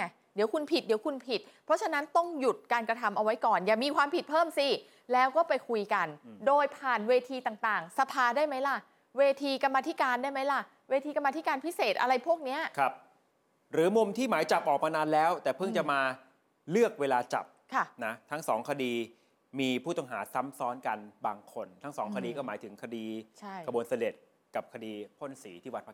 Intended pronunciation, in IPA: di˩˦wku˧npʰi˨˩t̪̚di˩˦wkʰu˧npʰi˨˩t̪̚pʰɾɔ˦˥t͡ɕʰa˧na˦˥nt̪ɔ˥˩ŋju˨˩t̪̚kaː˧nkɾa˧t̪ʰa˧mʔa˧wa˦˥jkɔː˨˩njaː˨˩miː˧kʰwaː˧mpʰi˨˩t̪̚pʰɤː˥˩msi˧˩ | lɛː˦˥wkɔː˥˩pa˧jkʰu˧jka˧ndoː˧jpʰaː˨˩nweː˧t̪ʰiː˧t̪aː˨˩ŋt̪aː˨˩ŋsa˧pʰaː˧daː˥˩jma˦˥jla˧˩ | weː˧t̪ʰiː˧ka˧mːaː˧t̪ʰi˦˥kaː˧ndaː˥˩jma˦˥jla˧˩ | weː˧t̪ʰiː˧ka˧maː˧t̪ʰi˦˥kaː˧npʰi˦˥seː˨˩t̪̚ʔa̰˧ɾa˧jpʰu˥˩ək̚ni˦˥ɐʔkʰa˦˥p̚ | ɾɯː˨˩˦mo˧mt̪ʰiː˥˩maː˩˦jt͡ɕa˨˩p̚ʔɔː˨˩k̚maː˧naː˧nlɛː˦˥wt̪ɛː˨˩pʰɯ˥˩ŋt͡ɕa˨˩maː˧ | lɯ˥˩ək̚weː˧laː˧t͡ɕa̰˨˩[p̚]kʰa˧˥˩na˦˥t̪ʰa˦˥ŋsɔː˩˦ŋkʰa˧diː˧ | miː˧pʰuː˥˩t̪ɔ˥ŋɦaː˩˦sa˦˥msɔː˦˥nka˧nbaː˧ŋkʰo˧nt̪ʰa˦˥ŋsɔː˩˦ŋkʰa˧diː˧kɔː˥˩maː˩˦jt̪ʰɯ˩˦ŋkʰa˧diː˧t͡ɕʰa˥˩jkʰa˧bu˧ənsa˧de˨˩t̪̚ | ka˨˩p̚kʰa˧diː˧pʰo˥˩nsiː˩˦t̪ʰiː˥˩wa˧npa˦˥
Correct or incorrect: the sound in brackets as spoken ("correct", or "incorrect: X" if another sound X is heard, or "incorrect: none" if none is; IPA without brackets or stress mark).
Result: correct